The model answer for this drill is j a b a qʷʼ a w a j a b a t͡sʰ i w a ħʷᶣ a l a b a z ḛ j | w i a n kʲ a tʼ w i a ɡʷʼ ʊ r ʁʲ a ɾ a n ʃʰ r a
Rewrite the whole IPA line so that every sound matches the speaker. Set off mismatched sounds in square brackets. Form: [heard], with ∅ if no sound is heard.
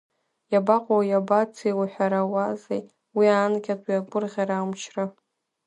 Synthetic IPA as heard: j a b a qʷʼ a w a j a b a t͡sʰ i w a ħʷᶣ a [ɾ] a [w] a z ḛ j | w i a n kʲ a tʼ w i a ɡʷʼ ʊ r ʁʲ a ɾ a [m] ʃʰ r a